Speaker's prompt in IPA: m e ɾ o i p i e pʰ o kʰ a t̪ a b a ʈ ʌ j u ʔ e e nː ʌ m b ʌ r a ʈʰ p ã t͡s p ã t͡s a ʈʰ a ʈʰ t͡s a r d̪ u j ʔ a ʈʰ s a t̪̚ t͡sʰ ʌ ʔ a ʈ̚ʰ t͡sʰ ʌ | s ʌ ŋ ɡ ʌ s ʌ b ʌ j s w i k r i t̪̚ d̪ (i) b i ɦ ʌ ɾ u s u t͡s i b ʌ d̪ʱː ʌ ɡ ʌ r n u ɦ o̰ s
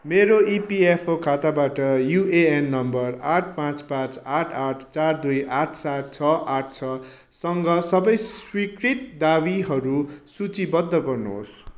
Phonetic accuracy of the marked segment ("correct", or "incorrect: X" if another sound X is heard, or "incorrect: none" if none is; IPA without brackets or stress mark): incorrect: a